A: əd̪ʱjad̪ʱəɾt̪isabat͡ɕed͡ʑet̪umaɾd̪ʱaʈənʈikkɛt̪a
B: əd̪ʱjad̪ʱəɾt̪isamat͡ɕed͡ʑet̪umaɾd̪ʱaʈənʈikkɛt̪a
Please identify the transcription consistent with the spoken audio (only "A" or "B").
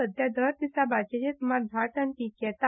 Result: A